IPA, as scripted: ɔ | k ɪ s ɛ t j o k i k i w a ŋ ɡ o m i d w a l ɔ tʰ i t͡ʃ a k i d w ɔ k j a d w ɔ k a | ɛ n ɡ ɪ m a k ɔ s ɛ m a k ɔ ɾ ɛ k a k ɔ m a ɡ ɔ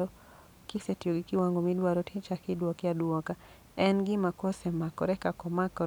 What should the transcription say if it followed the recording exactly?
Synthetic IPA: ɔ | k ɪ s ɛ t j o ɡ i k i w a ŋ ɡ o m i d w a ɾ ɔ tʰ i t͡ʃ a k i d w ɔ k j a d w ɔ k a | ɛ n ɡ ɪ m a k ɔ s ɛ m a k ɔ ɾ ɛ k a k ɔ m a k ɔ